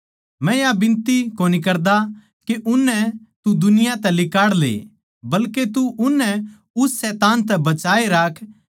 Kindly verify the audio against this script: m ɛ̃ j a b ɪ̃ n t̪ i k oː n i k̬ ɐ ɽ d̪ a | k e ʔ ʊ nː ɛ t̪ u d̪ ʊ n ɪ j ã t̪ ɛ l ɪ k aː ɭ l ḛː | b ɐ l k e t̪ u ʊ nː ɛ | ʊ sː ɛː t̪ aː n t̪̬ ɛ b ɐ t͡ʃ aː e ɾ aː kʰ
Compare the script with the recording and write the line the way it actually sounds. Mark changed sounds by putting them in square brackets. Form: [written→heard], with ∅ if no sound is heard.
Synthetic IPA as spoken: m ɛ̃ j a b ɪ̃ n t̪ i k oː n i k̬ ɐ [ɽ→ɾ] d̪ a | k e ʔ ʊ nː ɛ t̪ u d̪ ʊ n ɪ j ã t̪ ɛ l ɪ k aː [ɭ→ɽ] l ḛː | b ɐ l k e t̪ u ʊ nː ɛ | ʊ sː ɛː t̪ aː n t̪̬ ɛ b ɐ t͡ʃ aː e ɾ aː kʰ

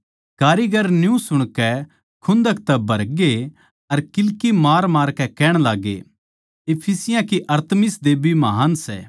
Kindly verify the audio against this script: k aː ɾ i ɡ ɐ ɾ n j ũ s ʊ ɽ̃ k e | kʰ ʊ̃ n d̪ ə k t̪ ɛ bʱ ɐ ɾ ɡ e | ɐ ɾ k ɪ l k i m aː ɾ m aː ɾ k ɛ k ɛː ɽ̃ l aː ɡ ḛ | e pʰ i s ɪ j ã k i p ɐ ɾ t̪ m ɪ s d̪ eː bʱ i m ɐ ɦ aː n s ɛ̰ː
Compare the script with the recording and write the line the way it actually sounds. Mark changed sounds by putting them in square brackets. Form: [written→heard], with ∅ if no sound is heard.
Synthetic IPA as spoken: k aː ɾ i ɡ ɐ ɾ n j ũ s ʊ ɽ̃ k [e→ɛ] | kʰ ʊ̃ n d̪ ə k t̪ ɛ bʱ ɐ ɾ ɡ e | ɐ ɾ k ɪ l k i m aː ɾ m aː ɾ k ɛ k ɛː ɽ̃ l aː ɡ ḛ | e pʰ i s ɪ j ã k i [p→ʔ] ɐ ɾ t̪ m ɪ s d̪ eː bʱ i m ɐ ɦ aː n s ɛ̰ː

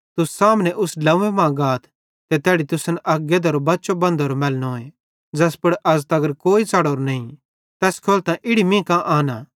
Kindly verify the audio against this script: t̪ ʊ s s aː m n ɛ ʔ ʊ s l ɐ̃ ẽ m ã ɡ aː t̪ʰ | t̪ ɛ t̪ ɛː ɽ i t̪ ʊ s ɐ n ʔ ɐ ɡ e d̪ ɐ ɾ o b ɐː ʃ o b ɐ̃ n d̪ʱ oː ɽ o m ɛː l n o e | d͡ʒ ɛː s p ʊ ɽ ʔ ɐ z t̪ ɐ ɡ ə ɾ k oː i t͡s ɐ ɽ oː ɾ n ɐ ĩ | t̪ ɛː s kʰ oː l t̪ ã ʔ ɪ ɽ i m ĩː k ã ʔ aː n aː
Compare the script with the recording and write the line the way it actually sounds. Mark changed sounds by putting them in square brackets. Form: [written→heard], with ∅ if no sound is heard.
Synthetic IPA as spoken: t̪ ʊ s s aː m n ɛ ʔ ʊ s l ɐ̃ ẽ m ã ɡ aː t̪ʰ | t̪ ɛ t̪ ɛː ɽ i t̪ ʊ s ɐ n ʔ ɐ ɡ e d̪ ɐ ɾ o b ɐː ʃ o b ɐ̃ n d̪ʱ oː [ɽ→ɾ] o m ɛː l n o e | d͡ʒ ɛː s p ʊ ɽ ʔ ɐ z t̪ ɐ ɡ ə ɾ k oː i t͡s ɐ ɽ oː ɾ n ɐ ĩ | t̪ ɛː s kʰ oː l t̪ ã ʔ ɪ ɽ i m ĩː k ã ʔ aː n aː

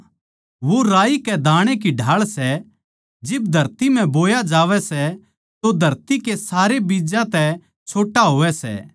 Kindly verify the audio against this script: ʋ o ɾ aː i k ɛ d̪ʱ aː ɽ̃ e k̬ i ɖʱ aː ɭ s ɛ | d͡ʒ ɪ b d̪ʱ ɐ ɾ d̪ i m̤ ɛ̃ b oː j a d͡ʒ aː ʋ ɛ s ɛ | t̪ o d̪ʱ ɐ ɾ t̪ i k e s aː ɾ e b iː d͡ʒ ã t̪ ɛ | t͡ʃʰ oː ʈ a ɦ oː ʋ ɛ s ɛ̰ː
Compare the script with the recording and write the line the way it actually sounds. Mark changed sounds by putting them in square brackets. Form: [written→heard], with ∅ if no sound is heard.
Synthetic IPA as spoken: ʋ o ɾ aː i k ɛ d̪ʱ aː ɽ̃ e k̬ i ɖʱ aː ɭ s ɛ | d͡ʒ ɪ b d̪ʱ ɐ ɾ [d̪→t̪] i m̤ ɛ̃ b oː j a d͡ʒ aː ʋ ɛ s ɛ | t̪ o d̪ʱ ɐ ɾ t̪ i k e s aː ɾ e b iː d͡ʒ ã t̪ ɛ | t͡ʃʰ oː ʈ a ɦ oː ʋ ɛ s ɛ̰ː

